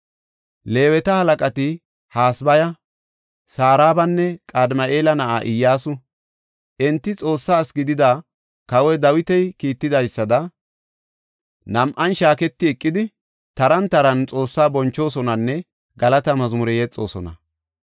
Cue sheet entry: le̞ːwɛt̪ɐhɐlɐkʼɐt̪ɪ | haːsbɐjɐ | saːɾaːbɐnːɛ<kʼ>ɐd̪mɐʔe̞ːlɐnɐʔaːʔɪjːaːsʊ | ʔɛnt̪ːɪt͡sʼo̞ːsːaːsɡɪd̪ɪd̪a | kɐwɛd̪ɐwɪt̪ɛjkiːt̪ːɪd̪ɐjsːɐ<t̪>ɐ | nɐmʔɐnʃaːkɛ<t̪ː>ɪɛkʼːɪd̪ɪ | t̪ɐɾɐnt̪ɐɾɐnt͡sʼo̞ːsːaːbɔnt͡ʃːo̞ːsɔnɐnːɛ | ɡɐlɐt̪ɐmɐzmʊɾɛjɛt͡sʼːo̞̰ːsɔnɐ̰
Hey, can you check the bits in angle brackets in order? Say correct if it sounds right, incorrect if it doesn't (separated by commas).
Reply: correct, incorrect, correct